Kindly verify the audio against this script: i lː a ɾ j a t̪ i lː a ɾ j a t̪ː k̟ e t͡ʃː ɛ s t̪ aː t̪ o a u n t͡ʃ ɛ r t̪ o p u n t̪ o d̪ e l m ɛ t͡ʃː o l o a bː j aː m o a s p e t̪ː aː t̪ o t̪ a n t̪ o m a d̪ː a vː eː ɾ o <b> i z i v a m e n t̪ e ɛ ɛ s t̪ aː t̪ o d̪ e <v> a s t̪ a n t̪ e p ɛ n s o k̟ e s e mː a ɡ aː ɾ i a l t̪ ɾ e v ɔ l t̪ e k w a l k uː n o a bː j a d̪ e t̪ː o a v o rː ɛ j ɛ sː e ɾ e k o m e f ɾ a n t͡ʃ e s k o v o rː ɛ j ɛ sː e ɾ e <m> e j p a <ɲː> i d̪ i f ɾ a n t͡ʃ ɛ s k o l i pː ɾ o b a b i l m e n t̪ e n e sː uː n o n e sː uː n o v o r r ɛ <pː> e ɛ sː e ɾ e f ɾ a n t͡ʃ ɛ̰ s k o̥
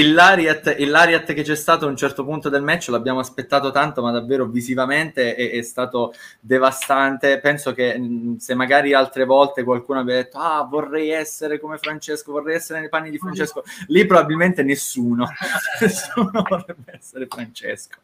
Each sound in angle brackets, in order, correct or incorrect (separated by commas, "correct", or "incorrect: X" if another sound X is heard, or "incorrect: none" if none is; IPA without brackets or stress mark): incorrect: v, correct, incorrect: n, incorrect: nː, incorrect: bː